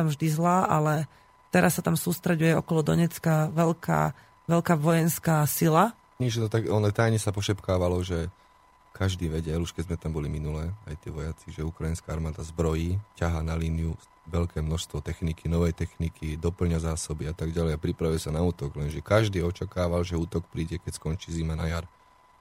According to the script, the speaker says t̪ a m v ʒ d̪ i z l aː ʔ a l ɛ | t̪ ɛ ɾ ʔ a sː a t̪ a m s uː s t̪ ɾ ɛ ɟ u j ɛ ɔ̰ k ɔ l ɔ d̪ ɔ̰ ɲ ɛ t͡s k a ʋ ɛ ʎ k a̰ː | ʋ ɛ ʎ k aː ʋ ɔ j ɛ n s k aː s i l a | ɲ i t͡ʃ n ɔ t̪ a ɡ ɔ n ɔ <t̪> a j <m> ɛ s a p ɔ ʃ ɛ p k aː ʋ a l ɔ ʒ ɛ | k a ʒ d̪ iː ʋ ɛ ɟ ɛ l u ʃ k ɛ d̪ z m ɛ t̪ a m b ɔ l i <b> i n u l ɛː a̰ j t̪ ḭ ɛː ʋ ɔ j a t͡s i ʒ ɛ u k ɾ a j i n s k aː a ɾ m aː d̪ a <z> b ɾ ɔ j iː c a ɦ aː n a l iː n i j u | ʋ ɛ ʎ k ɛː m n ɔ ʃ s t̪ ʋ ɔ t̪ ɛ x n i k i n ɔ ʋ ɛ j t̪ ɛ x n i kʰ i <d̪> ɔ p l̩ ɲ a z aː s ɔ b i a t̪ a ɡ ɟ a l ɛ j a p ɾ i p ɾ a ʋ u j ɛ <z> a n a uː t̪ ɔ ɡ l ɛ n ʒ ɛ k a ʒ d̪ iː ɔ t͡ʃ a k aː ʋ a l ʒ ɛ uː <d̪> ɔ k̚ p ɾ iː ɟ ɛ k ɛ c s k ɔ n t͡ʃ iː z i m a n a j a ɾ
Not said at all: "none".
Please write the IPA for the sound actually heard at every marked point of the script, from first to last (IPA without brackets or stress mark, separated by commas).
t̪, ɲ, m, z, d̪, s, t̪